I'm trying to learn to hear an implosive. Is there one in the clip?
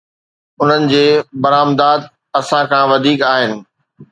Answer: no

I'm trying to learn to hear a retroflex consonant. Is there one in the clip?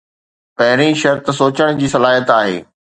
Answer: yes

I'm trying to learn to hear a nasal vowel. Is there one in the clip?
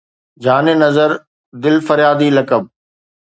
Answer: no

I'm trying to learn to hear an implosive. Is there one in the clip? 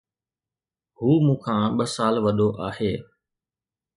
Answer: yes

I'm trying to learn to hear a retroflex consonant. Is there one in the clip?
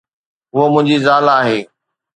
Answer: no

